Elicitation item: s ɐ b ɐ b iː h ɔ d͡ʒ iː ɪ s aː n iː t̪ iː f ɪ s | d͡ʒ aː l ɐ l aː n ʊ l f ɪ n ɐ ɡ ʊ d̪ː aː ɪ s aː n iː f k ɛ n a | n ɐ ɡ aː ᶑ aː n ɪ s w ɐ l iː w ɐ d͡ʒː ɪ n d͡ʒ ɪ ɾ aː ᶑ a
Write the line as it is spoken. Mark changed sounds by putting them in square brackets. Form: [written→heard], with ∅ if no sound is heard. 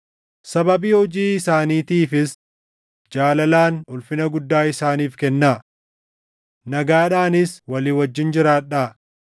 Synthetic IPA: s ɐ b ɐ b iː h ɔ d͡ʒ iː ɪ s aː n iː t̪ iː f ɪ s | d͡ʒ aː l ɐ l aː n ʊ l f ɪ n ɐ ɡ ʊ d̪ː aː ɪ s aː n iː f k ɛ [n→nː] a | n ɐ ɡ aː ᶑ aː n ɪ s w ɐ l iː w ɐ d͡ʒː ɪ n d͡ʒ ɪ ɾ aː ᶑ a